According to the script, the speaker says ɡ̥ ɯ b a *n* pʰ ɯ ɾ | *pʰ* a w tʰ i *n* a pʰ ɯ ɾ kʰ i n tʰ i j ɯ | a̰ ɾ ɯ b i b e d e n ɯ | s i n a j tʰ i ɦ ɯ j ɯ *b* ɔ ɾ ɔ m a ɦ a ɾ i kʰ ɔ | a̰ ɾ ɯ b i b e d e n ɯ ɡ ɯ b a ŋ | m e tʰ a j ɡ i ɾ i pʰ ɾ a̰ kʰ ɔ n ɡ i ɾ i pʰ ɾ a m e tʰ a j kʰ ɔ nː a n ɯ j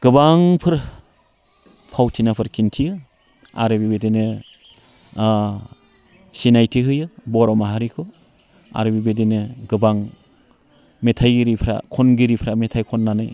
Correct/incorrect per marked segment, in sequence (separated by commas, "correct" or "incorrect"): incorrect, correct, correct, correct